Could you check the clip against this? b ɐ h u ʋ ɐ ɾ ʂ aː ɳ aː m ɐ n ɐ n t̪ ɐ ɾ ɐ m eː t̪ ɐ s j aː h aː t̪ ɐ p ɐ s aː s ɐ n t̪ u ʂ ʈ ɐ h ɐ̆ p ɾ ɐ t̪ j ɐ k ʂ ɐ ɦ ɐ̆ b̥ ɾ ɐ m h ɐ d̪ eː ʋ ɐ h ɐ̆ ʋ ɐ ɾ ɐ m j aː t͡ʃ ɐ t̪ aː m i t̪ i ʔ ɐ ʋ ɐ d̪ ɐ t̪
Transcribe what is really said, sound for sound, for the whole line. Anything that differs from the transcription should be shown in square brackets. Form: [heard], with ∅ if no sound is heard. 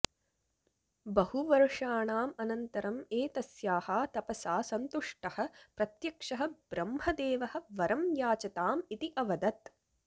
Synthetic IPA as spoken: b ɐ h u ʋ ɐ ɾ ʂ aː ɳ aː m ɐ n ɐ n t̪ ɐ ɾ ɐ m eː t̪ ɐ s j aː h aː t̪ ɐ p ɐ s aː s ɐ n t̪ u ʂ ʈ ɐ h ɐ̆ p ɾ ɐ t̪ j ɐ k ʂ ɐ ɦ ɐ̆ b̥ ɾ ɐ m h ɐ d̪ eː ʋ ɐ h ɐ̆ ʋ ɐ ɾ ɐ m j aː t͡ʃ ɐ t̪ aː m i t̪ i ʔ ɐ ʋ ɐ d̪ ɐ t̪